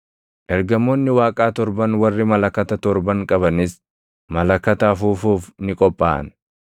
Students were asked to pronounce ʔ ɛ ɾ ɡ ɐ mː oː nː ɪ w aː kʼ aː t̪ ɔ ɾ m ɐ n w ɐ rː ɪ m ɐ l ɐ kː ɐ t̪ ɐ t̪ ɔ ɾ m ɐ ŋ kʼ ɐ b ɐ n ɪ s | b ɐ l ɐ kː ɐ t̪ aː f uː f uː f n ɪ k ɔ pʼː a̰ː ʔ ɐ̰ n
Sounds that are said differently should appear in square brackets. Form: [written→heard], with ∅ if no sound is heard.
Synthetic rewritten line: ʔ ɛ ɾ ɡ ɐ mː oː nː ɪ w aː kʼ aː t̪ ɔ ɾ [m→b] ɐ n w ɐ rː ɪ m ɐ l ɐ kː ɐ t̪ ɐ t̪ ɔ ɾ [m→b] ɐ ŋ kʼ ɐ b ɐ n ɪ s | [b→m] ɐ l ɐ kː ɐ t̪ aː f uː f uː f n ɪ [k→kʼ] ɔ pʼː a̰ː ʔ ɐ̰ n